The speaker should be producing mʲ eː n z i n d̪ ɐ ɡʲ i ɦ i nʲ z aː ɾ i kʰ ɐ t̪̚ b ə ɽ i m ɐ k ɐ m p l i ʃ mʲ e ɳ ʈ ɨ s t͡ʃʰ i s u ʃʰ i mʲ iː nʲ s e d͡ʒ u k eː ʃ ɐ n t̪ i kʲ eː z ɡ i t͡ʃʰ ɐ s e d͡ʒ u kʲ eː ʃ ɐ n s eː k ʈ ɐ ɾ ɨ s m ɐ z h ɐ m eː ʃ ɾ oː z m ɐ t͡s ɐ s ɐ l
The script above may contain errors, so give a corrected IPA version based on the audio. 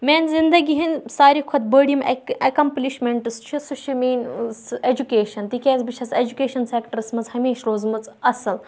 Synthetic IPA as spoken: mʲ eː n z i n d̪ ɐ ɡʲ i ɦ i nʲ s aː ɾ i kʰ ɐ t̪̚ b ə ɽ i m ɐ k ɐ m p l i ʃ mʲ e ɳ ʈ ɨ s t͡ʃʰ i s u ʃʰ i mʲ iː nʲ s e d͡ʒ u k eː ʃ ɐ n t̪ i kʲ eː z b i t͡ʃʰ ɐ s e d͡ʒ u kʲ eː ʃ ɐ n s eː k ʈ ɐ ɾ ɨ s m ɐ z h ɐ m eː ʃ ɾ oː z m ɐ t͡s ɐ s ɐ l